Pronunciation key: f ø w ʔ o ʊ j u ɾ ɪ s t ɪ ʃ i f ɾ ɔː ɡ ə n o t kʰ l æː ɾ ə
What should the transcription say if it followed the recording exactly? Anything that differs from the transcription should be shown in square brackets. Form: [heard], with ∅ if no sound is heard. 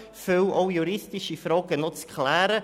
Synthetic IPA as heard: f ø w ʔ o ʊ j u ɾ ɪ s t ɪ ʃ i f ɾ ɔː ɡ ə n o [t͡s] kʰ l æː ɾ ə